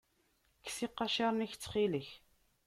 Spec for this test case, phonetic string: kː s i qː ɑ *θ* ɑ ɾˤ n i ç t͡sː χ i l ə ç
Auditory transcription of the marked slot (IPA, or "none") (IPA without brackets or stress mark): ʃ